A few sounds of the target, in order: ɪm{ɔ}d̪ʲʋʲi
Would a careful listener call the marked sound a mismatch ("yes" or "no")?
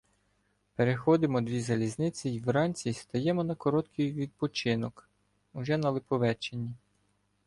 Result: no